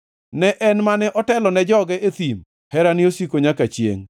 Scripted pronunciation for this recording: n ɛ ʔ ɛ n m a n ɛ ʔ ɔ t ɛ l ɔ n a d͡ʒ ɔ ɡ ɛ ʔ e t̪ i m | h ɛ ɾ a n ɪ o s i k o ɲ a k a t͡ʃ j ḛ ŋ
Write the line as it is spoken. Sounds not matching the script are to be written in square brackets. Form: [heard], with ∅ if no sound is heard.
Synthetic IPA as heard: n ɛ ʔ ɛ n m a n ɛ ʔ ɔ t ɛ l ɔ n [ɛ] d͡ʒ ɔ ɡ ɛ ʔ e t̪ i m | h ɛ ɾ a n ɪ o s i k o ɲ a k a t͡ʃ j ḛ ŋ